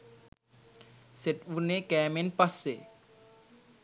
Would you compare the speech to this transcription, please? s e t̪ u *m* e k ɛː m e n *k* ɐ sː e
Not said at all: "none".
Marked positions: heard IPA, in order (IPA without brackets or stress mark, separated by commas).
n, p